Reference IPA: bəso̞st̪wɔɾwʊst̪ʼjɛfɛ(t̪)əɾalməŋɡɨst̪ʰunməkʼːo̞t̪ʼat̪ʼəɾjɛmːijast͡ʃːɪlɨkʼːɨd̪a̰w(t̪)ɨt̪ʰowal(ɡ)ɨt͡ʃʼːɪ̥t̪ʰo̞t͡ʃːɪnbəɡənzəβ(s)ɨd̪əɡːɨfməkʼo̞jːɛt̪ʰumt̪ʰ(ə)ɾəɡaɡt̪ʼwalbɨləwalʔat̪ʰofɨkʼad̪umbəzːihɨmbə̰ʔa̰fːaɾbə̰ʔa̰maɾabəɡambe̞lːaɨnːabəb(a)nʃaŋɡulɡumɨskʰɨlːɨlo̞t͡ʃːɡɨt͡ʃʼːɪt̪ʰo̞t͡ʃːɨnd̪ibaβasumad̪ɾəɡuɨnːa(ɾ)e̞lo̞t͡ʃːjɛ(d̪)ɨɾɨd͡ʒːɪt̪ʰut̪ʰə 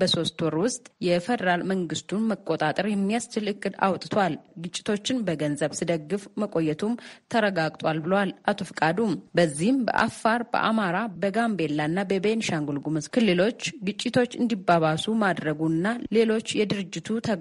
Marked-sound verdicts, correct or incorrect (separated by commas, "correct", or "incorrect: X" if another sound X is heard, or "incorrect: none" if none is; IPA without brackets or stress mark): incorrect: d̪, incorrect: t̪ʼ, correct, correct, correct, incorrect: e, incorrect: l, correct